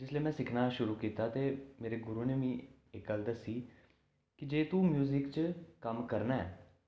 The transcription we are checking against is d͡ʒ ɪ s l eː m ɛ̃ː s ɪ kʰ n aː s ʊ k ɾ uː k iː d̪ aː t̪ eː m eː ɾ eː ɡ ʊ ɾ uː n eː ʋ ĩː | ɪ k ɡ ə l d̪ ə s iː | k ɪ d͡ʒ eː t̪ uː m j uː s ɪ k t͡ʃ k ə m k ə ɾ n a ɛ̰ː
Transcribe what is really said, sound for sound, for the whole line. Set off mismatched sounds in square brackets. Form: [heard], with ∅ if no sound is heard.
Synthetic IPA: d͡ʒ ɪ s l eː m ɛ̃ː s ɪ kʰ n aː [ʃ] ʊ [∅] ɾ uː k iː [t̪] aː t̪ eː m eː ɾ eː ɡ ʊ ɾ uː n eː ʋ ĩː | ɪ k ɡ ə l d̪ ə s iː | k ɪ d͡ʒ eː t̪ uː m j uː [z] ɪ k t͡ʃ k ə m k ə ɾ n a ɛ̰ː